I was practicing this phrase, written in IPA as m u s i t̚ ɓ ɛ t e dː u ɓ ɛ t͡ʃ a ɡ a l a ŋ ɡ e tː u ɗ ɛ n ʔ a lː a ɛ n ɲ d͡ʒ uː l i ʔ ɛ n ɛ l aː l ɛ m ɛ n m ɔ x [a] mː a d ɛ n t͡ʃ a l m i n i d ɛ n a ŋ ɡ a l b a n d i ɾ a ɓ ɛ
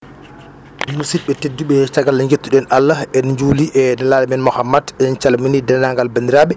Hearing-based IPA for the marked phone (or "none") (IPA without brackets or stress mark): a